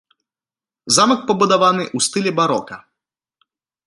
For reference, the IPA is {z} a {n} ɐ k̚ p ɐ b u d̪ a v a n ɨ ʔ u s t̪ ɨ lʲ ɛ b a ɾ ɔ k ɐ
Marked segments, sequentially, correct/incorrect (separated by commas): correct, incorrect